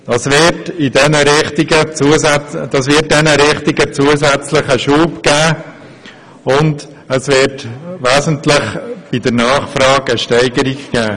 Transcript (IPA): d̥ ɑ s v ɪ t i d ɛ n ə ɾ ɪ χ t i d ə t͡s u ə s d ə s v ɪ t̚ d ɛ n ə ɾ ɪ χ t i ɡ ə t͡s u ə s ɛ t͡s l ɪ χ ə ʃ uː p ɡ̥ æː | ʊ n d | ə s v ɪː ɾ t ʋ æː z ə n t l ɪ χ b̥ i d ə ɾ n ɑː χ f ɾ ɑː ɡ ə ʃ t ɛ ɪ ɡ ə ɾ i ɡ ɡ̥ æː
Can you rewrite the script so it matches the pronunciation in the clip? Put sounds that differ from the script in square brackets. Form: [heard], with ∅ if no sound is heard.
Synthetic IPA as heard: d̥ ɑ s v ɪ t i d ɛ n ə ɾ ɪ χ t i [ɡ] ə t͡s u ə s d [ɑ] s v ɪ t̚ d ɛ n ə ɾ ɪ χ t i ɡ ə t͡s u ə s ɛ t͡s l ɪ χ ə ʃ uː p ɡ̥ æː | ʊ n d | ə s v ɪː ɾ t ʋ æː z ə n t l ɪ χ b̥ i d ə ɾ n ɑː χ f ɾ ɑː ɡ ə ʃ t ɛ ɪ ɡ ə ɾ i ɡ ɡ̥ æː